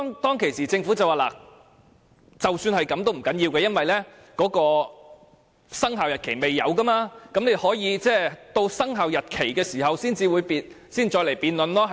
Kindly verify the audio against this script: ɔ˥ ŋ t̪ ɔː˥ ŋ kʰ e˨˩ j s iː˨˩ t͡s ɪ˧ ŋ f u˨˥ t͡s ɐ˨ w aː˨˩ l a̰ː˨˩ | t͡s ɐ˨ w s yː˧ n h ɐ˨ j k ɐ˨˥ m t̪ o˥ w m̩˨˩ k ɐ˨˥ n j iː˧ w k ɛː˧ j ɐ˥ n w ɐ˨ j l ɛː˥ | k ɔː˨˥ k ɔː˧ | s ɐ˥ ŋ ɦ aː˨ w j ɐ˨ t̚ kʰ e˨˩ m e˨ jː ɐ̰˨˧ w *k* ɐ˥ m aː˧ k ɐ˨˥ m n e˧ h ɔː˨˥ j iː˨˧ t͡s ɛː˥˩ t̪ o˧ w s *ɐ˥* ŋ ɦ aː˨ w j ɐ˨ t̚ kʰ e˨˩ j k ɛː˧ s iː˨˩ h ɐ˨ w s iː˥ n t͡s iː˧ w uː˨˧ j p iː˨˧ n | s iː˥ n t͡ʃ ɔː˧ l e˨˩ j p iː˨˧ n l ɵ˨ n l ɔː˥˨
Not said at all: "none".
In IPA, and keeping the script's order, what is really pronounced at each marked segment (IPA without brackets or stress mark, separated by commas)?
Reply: k, ɐ˥